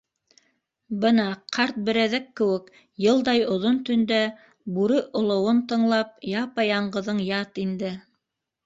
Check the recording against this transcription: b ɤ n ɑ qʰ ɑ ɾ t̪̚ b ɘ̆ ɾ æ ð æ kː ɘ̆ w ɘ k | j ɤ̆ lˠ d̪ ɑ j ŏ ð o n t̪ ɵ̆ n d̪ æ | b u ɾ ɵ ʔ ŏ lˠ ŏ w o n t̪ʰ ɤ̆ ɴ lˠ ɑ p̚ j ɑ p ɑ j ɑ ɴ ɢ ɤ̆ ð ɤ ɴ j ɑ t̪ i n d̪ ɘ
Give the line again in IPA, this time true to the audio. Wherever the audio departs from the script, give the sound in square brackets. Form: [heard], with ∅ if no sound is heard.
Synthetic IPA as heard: b ɤ n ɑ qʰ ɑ ɾ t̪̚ b ɘ̆ ɾ æ ð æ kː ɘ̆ w ɘ k | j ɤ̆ lˠ d̪ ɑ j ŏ ð o n t̪ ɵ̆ n d̪ æ | b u ɾ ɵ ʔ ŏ lˠ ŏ w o n [t̪] ɤ̆ ɴ lˠ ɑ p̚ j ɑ p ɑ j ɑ ɴ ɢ ɤ̆ ð ɤ ɴ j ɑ t̪ i n d̪ ɘ